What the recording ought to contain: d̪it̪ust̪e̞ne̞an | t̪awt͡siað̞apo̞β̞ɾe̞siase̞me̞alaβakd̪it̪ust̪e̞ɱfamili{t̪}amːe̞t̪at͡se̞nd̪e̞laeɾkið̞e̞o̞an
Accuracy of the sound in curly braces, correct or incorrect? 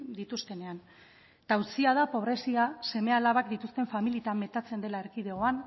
correct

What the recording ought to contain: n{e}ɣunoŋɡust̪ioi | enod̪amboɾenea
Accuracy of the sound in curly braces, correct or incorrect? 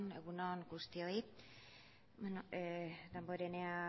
correct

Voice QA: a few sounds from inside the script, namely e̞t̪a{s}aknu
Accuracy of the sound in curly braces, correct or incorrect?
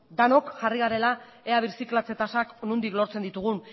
correct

